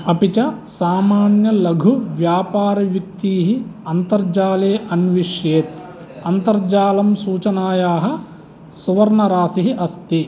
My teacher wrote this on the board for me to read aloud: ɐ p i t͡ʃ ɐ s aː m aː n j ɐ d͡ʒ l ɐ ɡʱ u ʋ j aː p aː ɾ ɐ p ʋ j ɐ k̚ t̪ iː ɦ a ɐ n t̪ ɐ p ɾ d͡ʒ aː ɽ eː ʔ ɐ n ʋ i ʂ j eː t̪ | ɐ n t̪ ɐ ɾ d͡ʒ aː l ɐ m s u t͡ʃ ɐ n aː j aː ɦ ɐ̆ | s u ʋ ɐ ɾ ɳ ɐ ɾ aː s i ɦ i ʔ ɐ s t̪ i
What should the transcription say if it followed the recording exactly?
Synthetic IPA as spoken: ɐ p i t͡ʃ ɐ s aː m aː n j ɐ l ɐ ɡʱ u ʋ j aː p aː ɾ ɐ ʋ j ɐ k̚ t̪ iː ɦ i ɐ n t̪ ɐ ɾ d͡ʒ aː l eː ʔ ɐ n ʋ i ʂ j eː t̪ | ɐ n t̪ ɐ ɾ d͡ʒ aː l ɐ m s uː t͡ʃ ɐ n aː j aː ɦ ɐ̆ | s u ʋ ɐ ɾ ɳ ɐ ɾ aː s i ɦ i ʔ ɐ s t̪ i